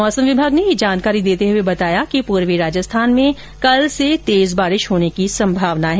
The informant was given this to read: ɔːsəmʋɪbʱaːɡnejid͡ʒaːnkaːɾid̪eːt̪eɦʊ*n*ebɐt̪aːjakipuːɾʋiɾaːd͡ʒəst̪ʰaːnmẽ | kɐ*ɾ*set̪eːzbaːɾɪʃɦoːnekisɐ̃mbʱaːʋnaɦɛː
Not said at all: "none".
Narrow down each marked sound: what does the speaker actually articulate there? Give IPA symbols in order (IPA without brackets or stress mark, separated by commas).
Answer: none, l